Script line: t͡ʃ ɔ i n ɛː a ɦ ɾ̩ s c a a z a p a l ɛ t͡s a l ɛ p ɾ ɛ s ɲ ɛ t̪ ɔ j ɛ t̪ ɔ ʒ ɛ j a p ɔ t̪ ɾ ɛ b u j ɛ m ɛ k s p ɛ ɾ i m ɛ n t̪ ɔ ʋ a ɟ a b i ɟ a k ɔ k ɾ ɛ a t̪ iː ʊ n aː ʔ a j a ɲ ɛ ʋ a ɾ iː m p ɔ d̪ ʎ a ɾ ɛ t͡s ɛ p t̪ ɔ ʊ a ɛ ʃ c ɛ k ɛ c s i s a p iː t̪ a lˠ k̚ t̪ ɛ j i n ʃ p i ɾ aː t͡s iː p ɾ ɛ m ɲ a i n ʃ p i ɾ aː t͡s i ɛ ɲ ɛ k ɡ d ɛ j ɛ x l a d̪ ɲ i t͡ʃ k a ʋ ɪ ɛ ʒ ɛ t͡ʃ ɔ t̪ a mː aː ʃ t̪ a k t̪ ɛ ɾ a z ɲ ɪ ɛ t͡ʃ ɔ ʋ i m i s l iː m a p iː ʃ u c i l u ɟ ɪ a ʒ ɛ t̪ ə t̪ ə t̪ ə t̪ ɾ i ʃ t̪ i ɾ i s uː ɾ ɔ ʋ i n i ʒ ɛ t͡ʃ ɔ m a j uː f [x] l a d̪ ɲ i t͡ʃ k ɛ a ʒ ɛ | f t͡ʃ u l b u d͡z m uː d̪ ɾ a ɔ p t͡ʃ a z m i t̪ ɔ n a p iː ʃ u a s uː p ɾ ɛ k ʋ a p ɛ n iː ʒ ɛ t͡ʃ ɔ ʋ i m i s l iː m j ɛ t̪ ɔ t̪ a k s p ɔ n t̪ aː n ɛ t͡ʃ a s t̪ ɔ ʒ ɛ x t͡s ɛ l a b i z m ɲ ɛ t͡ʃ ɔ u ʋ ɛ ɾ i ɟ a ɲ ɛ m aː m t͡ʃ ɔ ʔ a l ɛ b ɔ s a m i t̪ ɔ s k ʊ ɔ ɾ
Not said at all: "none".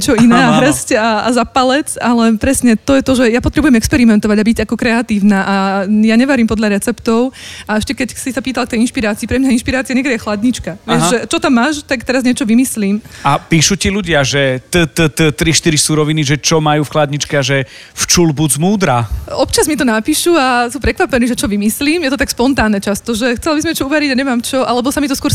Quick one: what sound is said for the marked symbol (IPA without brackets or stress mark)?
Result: x